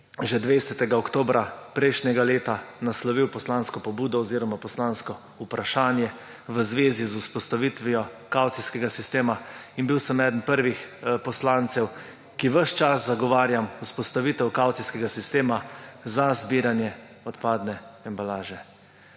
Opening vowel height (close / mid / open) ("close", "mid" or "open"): mid